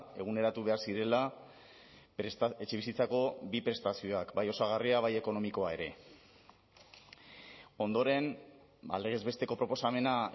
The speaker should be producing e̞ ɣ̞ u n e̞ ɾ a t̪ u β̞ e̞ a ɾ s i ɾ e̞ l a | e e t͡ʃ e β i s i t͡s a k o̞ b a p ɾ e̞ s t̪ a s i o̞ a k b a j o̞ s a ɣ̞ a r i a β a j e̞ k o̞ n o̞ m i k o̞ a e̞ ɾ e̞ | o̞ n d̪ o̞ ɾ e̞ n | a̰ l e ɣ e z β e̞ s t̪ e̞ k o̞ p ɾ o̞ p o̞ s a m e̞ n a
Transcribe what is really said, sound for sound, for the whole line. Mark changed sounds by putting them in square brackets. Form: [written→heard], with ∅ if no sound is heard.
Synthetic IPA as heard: e̞ ɣ̞ u n e̞ ɾ a t̪ u β̞ e̞ a ɾ s i ɾ e̞ l a | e e t͡ʃ e β i s i t͡s a k o̞ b [a→i] p ɾ e̞ s t̪ a s i o̞ a k b a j o̞ s a ɣ̞ a r i a β a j e̞ k o̞ n o̞ m i k o̞ a e̞ ɾ e̞ | o̞ n d̪ o̞ ɾ e̞ n | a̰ l e ɣ e z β e̞ s t̪ e̞ k o̞ p ɾ o̞ p o̞ s a m e̞ n a